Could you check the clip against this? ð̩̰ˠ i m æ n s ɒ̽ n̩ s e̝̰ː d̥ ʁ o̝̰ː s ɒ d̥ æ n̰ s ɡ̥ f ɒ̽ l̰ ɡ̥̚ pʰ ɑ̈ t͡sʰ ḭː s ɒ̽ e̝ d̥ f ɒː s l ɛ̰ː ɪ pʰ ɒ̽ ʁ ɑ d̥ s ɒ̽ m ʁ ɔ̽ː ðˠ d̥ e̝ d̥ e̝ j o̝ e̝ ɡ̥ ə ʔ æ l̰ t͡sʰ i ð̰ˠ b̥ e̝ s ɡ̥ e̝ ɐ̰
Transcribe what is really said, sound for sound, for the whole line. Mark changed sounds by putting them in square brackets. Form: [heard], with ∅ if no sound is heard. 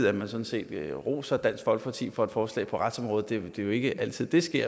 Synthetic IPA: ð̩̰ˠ [æ] m æ n s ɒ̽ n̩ s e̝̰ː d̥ ʁ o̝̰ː s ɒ d̥ æ n̰ s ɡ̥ f ɒ̽ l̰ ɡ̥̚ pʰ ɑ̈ t͡sʰ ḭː [f] ɒ̽ e̝ d̥ f ɒː s l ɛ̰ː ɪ pʰ ɒ̽ ʁ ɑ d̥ s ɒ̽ m ʁ ɔ̽ː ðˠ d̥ e̝ d̥ e̝ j o̝ e̝ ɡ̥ ə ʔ æ l̰ t͡sʰ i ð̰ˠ [d̥] e̝ s ɡ̥ e̝ ɐ̰